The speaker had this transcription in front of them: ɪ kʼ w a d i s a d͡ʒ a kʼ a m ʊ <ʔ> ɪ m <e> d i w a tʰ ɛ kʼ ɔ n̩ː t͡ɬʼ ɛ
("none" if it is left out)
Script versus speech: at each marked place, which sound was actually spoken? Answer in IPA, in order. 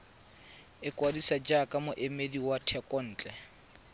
ʔ, e

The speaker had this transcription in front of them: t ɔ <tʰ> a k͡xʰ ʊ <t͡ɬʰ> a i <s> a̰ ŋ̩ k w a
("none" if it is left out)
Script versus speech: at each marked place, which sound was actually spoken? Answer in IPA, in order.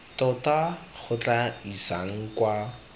t, t͡ɬ, s

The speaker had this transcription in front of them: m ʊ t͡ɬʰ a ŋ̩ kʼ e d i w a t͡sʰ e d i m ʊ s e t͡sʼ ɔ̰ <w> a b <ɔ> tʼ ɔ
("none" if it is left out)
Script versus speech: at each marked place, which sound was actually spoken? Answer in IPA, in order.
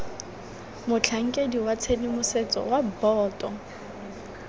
w, ɔː

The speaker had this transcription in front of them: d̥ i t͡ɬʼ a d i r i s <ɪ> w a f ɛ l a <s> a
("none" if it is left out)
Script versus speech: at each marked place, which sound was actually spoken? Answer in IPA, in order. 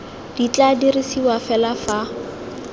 i, f

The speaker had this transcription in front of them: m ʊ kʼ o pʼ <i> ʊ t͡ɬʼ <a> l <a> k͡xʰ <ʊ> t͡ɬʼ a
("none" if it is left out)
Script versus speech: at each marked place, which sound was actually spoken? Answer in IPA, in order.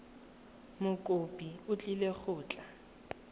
i, i, e, ʊː

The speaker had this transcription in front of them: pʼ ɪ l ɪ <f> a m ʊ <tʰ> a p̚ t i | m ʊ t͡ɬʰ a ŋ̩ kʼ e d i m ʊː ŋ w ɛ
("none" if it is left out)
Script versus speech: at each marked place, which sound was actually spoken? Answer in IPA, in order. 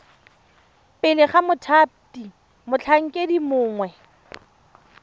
χ, tʰ

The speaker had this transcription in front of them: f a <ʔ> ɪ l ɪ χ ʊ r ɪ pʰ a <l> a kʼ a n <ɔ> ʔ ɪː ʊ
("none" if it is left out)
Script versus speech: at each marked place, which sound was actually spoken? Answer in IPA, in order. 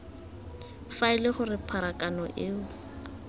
none, ɾ, ɔ

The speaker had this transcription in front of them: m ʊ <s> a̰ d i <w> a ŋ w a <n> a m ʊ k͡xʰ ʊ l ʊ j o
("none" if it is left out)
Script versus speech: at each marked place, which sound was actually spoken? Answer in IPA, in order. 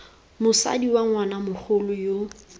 s, w, n

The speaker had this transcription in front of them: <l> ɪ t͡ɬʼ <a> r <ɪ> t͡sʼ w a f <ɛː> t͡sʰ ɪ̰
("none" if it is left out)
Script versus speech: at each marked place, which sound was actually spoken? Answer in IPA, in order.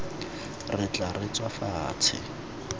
r, a, ɪ, aː

